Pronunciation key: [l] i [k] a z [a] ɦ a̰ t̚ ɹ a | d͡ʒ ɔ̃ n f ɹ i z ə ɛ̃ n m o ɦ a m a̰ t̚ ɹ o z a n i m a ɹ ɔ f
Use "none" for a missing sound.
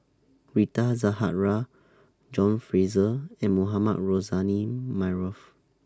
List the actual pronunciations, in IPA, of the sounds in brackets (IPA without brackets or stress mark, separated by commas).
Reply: ɹ, t, a